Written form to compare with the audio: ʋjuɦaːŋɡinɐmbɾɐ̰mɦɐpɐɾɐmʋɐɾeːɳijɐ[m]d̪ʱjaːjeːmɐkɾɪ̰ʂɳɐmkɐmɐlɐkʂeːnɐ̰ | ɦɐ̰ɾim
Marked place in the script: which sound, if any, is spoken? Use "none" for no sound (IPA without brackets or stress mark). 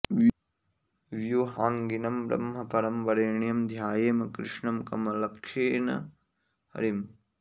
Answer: m